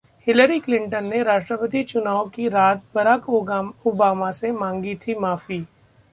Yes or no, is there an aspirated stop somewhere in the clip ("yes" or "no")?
yes